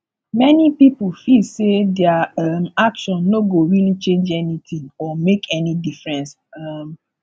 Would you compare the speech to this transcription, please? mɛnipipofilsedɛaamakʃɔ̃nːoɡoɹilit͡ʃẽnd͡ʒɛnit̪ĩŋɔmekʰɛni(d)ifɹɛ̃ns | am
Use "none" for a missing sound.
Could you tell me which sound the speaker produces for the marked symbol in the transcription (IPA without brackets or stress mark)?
d